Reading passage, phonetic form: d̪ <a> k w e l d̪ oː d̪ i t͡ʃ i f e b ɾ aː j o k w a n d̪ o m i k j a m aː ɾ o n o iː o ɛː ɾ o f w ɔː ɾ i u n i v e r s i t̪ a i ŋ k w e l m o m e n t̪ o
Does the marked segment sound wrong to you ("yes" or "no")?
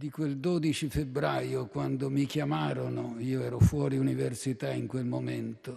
yes